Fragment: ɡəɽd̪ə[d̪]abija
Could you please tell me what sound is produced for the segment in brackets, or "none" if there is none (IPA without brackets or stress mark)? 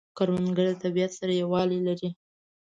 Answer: t̪